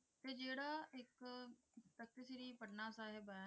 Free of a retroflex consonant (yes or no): no